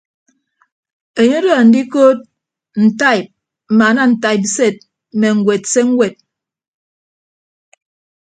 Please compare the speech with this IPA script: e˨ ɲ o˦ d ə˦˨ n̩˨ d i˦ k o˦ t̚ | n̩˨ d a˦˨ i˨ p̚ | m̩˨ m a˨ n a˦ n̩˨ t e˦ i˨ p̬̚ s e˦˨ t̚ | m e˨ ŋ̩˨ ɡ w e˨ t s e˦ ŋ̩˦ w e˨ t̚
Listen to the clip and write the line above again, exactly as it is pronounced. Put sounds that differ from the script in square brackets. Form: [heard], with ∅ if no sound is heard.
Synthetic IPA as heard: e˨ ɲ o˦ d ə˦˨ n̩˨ d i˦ k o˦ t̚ | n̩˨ [t] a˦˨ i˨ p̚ | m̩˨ m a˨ n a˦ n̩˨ t [a˦] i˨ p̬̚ s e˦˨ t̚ | m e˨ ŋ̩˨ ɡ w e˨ t s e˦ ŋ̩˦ w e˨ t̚